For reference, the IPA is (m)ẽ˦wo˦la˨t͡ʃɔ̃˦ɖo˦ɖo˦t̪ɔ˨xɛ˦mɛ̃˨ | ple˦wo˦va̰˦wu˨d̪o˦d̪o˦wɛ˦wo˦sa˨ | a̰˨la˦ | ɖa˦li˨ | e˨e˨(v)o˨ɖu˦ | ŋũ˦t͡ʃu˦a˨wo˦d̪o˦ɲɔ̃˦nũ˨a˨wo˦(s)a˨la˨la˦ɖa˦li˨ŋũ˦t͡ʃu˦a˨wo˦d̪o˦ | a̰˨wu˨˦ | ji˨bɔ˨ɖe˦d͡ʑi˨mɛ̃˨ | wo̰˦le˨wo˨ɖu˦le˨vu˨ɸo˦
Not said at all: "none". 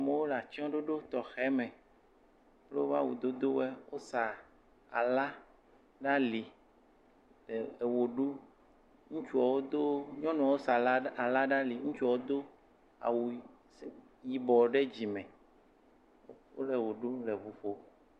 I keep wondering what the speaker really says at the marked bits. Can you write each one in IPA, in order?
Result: m, w, s

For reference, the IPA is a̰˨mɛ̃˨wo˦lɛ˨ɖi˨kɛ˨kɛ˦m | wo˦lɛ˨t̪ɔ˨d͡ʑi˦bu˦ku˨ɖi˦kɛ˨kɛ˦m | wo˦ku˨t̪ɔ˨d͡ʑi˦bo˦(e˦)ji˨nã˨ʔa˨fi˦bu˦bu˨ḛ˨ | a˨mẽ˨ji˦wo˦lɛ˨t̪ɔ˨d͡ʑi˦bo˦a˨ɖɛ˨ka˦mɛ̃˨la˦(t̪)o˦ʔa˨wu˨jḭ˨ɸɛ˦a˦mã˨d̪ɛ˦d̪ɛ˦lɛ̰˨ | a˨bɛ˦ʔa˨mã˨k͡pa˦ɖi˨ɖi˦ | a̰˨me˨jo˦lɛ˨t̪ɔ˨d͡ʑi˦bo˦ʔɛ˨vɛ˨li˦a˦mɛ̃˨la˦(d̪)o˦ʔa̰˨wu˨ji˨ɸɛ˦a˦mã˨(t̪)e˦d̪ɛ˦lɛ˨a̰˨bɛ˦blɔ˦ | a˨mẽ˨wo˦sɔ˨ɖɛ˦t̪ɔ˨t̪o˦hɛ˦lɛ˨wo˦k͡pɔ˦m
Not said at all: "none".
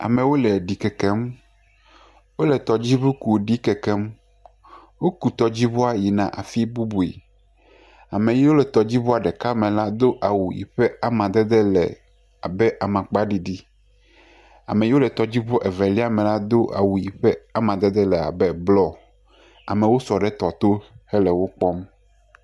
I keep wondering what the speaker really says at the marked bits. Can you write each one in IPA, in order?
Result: a˦, d̪, d̪, d̪

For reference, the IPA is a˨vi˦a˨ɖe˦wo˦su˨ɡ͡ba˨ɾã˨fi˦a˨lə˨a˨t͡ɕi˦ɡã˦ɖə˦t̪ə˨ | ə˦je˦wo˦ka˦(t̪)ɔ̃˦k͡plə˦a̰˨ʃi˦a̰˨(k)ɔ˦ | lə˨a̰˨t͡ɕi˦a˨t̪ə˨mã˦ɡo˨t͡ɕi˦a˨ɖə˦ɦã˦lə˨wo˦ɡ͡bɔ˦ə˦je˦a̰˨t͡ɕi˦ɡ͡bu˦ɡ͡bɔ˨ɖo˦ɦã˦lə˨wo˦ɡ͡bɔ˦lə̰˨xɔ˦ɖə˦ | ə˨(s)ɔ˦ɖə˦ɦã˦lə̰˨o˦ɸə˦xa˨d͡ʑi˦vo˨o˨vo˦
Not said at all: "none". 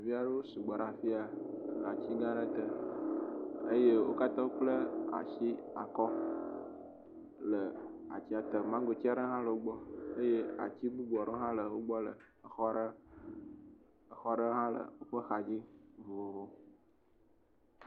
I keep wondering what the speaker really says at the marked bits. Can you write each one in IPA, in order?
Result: t̪, k, x

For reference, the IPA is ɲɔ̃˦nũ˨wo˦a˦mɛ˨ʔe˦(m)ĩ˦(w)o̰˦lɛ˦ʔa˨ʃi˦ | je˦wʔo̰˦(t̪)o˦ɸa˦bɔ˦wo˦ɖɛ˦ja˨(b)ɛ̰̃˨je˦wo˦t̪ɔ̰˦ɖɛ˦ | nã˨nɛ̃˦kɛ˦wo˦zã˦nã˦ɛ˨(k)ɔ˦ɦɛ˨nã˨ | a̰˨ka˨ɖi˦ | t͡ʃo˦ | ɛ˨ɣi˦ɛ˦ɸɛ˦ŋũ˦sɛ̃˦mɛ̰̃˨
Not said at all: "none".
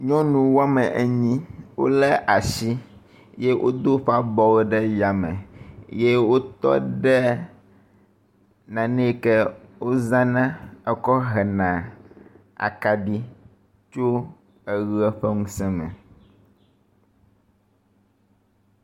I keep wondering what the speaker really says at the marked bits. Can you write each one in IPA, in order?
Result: ɲ, w, d̪, m, k

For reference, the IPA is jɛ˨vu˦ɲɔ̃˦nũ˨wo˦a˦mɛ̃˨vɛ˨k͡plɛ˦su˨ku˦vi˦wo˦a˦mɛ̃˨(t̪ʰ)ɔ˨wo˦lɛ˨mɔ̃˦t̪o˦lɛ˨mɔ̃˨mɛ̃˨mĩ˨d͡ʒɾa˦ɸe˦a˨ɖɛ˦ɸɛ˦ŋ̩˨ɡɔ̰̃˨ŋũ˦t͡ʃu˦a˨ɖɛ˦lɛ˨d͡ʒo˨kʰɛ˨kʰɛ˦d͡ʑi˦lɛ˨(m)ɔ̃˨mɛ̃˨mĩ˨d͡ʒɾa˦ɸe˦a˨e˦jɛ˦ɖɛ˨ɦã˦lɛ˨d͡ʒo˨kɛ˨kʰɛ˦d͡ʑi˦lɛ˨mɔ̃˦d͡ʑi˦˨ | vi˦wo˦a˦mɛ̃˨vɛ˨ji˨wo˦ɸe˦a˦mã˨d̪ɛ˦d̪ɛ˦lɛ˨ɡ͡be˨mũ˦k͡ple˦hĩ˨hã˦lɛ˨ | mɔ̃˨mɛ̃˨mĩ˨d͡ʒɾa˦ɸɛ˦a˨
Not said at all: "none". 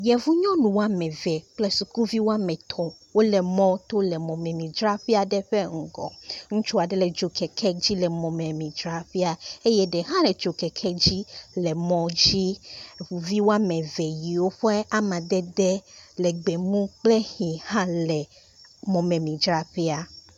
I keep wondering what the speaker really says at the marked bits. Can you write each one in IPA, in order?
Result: t̪ʰ, m

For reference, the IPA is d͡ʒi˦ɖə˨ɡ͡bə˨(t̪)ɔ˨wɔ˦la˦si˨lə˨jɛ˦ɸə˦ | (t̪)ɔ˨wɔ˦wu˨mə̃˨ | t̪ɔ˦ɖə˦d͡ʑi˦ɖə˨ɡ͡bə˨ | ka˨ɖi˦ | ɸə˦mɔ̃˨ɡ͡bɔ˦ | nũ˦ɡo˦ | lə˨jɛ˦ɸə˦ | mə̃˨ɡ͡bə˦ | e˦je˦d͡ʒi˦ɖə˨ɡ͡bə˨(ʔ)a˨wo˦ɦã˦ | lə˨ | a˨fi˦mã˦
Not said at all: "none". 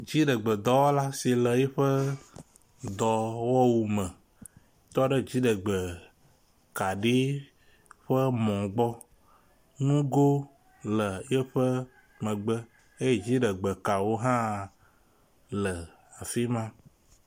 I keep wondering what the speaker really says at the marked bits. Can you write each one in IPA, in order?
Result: d̪, d̪, k

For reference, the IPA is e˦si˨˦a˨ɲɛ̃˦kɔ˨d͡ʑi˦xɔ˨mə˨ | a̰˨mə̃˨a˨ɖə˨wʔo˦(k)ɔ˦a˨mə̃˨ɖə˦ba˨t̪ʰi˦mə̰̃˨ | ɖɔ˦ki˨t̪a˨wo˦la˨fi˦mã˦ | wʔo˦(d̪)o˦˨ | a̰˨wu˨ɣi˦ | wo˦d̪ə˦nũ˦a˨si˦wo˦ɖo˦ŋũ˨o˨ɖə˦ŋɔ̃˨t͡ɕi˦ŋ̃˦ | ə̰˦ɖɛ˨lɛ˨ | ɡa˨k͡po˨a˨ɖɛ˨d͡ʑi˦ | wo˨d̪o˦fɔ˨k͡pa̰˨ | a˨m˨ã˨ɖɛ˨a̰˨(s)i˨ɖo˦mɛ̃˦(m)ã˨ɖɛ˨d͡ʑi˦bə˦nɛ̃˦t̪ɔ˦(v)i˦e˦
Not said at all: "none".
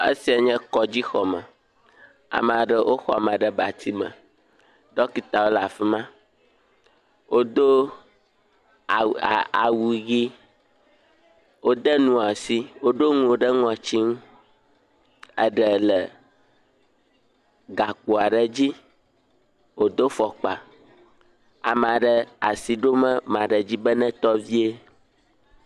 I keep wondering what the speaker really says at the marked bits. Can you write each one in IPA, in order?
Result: x, d̪, s, m, v

